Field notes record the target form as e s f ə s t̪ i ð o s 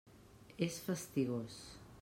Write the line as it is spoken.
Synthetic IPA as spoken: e s f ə s t̪ i ɣ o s